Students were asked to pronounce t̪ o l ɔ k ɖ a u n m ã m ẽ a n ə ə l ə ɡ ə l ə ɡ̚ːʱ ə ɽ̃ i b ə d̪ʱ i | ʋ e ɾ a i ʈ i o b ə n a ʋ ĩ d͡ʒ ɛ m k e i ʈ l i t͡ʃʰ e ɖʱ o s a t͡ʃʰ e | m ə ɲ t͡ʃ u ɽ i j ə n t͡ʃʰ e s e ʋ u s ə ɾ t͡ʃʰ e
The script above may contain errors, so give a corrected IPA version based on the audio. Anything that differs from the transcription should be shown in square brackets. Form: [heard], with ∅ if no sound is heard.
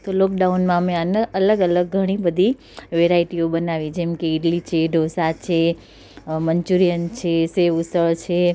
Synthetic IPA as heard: t̪ o l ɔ k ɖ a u n m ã m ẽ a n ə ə l ə ɡ ə l ə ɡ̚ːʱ ə ɽ̃ i b ə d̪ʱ i | ʋ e ɾ a i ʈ i o b ə n a ʋ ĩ d͡ʒ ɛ m k e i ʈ l i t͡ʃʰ e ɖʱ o s a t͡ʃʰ e | m ə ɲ t͡ʃ u [ɾ] i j ə n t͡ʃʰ e s e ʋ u s ə [ɭ] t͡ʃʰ e